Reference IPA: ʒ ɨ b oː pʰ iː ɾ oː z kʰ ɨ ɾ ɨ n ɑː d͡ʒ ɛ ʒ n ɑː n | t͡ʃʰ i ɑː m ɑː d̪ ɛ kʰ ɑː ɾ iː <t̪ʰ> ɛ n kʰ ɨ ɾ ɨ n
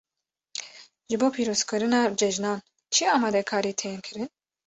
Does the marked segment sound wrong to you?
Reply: no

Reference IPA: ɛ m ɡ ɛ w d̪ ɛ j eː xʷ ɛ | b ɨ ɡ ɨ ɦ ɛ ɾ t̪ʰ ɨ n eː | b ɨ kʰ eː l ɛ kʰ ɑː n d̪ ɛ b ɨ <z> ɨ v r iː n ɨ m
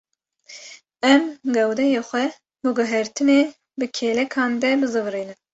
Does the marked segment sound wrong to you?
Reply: no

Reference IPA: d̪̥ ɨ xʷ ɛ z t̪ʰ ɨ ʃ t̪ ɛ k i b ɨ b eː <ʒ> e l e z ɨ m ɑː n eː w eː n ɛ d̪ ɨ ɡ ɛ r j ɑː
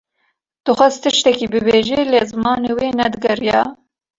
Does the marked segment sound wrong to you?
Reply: no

